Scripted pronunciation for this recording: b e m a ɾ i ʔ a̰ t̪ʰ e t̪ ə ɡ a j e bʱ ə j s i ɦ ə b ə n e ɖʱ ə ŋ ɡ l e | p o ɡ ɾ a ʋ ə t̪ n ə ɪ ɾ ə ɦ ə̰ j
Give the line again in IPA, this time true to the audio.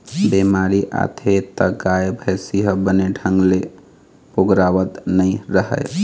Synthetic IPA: b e m a ɾ i ʔ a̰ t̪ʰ e t̪ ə ɡ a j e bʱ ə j s i ɦ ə b ə n e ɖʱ ə ŋ ɡ l e | p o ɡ ɾ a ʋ ə t̪ n ə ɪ ɾ ə ɦ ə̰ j